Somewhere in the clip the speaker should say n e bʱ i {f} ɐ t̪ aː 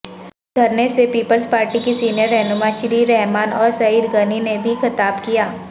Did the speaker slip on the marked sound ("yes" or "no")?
yes